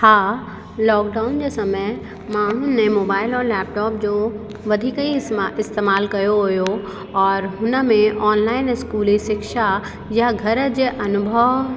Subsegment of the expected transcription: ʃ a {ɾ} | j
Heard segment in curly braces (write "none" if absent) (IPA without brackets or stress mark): none